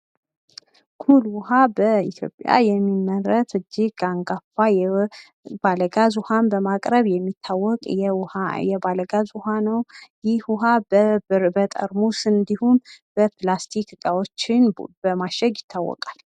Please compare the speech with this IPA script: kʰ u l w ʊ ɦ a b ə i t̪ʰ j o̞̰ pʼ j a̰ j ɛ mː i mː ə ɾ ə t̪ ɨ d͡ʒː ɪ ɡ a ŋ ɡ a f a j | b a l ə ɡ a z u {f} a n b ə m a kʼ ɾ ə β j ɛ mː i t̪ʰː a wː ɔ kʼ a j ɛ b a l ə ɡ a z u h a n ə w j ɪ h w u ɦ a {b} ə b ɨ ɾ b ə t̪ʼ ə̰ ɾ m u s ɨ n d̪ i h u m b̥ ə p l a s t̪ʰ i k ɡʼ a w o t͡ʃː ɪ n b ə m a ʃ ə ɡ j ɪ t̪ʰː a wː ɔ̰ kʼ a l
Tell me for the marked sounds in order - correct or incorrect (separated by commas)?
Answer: incorrect, correct